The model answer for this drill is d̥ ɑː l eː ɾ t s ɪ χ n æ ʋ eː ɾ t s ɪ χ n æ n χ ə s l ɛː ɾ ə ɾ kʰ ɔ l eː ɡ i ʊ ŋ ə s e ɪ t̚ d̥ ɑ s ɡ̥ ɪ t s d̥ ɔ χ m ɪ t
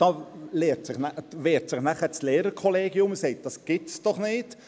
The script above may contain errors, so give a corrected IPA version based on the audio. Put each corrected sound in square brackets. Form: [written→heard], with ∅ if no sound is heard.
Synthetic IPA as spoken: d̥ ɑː l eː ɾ t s ɪ χ n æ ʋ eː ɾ t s ɪ χ n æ [n→∅] χ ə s l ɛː ɾ ə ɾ kʰ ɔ l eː ɡ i ʊ [ŋ→m] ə s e ɪ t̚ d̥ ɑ s ɡ̥ ɪ t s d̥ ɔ χ [m→n] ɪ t